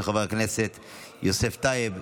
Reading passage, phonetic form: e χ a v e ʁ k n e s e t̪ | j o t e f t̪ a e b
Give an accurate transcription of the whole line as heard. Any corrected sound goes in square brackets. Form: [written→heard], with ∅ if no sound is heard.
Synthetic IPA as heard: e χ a v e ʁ k n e s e t̪ | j o [t→s] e f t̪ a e b